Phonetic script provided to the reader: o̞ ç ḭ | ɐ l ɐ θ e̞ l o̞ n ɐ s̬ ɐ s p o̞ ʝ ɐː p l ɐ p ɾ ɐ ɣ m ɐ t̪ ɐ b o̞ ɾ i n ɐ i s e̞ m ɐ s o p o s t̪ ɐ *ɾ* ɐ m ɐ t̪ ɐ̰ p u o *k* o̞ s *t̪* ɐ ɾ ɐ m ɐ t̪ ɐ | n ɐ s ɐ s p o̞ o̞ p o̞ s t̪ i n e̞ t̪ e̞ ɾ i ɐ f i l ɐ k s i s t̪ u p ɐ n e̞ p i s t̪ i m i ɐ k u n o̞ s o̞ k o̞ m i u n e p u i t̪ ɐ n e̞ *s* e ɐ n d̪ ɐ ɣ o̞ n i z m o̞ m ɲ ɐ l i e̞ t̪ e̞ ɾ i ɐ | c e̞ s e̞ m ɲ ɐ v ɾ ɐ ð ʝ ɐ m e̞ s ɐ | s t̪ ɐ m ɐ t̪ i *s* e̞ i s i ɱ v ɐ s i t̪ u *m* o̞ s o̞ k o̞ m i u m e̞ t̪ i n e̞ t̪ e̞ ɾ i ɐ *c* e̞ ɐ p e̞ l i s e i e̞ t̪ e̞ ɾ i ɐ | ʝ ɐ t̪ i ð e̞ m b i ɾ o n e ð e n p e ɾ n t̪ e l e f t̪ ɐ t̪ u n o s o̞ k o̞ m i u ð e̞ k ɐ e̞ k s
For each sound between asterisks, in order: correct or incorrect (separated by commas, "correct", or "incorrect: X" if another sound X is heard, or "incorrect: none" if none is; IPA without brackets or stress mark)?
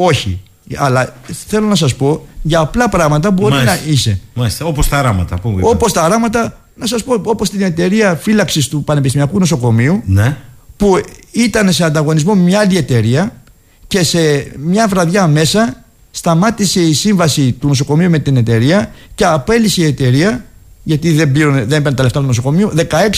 correct, incorrect: p, correct, correct, correct, incorrect: n, correct